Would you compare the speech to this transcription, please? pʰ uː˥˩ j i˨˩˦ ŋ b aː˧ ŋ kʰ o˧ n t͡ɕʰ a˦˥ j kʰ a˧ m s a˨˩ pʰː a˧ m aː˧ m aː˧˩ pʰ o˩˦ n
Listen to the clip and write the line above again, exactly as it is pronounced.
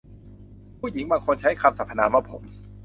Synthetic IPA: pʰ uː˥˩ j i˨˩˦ ŋ b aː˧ ŋ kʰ o˧ n t͡ɕʰ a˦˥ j kʰ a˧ m s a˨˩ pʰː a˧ n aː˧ m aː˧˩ pʰ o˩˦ m